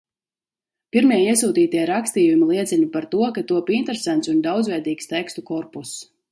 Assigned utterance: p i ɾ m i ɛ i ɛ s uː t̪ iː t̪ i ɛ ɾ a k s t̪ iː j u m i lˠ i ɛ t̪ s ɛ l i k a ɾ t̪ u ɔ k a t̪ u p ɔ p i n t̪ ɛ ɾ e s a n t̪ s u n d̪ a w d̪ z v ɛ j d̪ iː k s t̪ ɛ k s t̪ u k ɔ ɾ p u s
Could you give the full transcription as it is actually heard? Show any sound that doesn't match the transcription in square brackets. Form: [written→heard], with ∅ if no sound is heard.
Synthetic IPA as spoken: p i ɾ m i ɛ i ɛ s uː t̪ iː t̪ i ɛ ɾ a k s t̪ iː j u m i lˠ i ɛ t̪ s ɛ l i [k→p] a ɾ t̪ u ɔ k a t̪ u [p→∅] ɔ p i n t̪ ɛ ɾ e s a n t̪ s u n d̪ a w d̪ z v ɛ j d̪ iː k s t̪ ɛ k s t̪ u k ɔ ɾ p u s